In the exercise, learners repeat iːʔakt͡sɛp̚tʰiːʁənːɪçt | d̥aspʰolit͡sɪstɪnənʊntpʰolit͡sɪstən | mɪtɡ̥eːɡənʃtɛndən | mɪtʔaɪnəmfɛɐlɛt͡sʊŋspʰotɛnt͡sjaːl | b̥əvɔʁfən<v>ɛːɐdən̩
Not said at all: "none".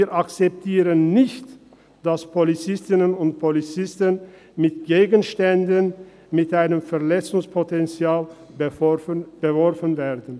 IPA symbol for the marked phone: v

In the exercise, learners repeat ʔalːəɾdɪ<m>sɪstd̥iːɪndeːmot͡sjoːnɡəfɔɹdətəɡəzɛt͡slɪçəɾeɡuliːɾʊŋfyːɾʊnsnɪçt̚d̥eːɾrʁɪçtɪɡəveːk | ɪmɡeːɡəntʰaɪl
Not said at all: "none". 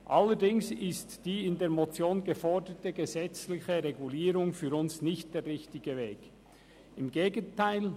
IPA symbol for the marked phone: ŋ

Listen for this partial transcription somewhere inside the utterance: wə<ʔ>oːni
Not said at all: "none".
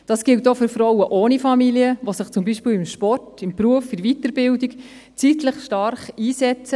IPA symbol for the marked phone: ʔ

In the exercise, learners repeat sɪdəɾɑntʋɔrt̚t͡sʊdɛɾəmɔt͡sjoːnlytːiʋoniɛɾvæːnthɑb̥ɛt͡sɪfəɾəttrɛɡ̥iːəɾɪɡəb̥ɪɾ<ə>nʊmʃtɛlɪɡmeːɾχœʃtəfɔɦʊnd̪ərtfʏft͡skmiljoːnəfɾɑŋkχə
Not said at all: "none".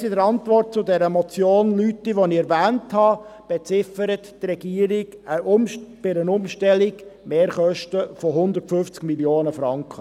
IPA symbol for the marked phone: ə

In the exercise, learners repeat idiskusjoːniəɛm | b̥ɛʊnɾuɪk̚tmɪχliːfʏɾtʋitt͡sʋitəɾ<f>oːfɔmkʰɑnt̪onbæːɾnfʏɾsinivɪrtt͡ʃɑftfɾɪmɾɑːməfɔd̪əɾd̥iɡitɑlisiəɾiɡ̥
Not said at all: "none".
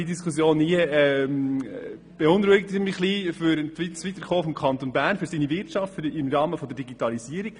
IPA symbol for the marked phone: χ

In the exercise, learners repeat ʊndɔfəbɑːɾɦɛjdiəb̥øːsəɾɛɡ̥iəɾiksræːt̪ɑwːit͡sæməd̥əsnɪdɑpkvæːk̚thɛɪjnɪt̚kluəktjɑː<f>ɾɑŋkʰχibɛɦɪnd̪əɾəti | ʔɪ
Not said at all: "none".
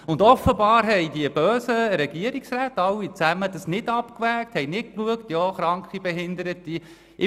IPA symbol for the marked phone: χ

